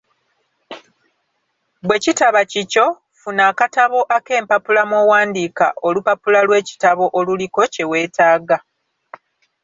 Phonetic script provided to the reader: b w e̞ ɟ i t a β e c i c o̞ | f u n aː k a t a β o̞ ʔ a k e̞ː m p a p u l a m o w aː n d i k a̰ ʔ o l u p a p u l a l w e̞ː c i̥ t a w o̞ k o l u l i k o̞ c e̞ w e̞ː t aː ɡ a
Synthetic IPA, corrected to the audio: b w e̞ c i t a β a c i c o̞ | f u n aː k a t a β o̞ ʔ a k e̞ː m p a p u l a m o w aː n d i k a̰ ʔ o l u p a p u l a l w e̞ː c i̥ t a β o̞ ʔ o l u l i k o̞ c e̞ w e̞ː t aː ɡ a